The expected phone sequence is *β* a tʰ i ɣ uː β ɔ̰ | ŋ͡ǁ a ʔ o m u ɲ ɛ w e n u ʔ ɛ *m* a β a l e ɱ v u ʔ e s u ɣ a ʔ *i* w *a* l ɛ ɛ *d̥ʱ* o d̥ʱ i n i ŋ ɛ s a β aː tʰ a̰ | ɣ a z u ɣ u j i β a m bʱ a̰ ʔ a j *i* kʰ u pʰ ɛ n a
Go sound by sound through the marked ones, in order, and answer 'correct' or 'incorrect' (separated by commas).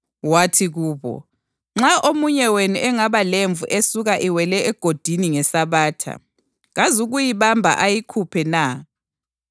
incorrect, incorrect, correct, incorrect, incorrect, correct